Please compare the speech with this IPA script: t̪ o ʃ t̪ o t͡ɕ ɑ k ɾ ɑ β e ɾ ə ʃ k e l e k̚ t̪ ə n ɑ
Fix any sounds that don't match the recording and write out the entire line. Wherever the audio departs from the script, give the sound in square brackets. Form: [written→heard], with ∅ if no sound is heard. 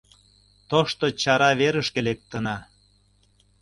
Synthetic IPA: t̪ o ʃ t̪ o t͡ɕ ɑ [k→∅] ɾ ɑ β e ɾ ə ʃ k e l e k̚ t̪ ə n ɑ